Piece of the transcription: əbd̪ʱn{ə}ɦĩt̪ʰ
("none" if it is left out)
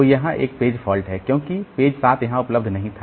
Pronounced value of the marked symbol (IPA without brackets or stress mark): ɐ